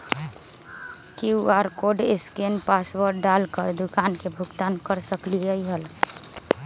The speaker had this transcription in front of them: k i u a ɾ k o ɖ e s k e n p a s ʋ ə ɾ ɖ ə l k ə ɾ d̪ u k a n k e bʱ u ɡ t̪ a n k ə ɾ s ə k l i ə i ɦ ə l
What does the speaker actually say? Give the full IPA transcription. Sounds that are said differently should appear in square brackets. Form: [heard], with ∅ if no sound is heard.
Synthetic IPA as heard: k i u a ɾ k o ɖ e s k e n p a s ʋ ə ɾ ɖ [a] l k ə ɾ d̪ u k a n k e bʱ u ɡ t̪ a n k ə ɾ s ə k l i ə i ɦ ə l